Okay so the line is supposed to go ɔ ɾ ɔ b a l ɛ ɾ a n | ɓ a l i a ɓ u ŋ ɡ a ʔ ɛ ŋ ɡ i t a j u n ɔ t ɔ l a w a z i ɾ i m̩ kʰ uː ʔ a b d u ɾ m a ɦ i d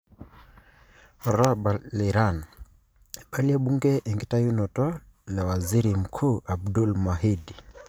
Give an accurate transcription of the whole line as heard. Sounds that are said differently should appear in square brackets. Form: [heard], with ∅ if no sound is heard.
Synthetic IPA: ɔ ɾ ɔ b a l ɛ ɾ a n | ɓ a l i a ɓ u ŋ ɡ [ɛ] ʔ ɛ ŋ ɡ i t a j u n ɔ t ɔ l a w a z i ɾ i m̩ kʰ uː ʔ a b d u [l] m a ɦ i d